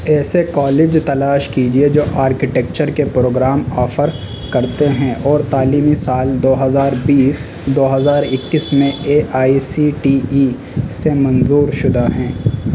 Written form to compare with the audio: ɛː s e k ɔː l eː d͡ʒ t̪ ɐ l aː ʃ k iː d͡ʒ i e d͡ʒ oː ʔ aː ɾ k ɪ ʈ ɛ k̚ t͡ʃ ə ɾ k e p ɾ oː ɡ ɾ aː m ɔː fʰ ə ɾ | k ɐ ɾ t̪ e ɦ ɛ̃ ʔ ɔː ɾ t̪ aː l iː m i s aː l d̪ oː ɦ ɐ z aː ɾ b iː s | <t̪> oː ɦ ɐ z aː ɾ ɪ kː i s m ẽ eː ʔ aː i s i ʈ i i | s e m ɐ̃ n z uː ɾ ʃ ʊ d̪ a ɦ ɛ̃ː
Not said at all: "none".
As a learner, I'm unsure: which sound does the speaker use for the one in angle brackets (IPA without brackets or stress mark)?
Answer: d̪